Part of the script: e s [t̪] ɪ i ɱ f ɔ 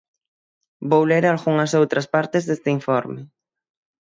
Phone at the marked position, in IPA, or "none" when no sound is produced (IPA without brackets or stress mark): t̪